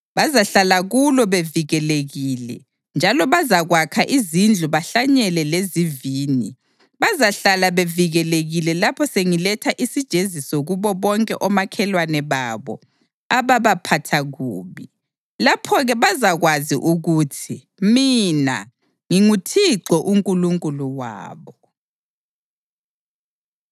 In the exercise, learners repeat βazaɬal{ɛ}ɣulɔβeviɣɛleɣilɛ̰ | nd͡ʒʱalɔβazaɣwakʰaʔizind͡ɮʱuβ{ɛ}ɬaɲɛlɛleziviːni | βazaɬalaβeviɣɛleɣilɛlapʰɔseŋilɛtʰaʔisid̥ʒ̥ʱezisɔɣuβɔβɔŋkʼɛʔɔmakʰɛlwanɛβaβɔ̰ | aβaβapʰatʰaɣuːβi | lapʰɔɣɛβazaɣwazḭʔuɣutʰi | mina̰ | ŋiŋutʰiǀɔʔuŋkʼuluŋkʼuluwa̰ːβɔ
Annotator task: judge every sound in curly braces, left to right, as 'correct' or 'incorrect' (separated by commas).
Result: incorrect, incorrect